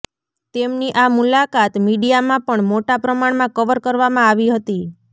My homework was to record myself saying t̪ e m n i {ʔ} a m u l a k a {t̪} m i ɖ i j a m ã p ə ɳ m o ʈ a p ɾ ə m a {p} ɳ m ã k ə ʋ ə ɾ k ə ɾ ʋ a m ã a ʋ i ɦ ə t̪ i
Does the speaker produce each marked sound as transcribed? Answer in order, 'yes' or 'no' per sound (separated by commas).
yes, yes, no